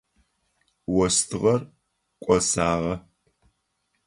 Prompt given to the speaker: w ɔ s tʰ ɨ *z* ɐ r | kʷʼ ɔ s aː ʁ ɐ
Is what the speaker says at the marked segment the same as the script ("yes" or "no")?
no